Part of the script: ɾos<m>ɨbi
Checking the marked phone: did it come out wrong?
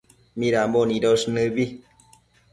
yes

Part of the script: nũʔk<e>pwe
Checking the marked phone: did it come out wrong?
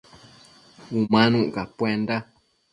yes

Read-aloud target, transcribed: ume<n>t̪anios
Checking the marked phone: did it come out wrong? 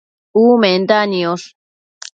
no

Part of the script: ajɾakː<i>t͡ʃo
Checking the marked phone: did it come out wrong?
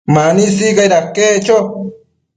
yes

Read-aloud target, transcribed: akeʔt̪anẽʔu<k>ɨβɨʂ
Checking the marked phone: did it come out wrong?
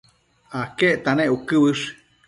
no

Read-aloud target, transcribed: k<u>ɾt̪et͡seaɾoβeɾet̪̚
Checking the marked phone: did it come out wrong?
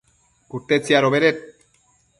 no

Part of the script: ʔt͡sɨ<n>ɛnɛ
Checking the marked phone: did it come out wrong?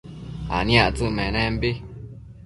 yes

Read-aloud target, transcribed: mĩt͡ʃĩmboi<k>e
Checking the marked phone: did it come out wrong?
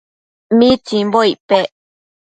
yes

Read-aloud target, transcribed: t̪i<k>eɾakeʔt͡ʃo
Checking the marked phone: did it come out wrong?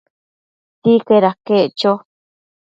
no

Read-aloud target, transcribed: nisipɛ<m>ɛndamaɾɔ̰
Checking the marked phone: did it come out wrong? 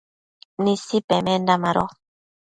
no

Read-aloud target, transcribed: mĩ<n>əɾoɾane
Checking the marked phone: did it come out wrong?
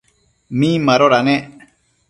yes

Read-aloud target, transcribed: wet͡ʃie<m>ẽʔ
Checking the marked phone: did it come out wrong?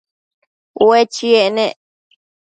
yes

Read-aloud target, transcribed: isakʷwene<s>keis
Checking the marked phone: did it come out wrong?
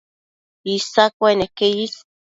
yes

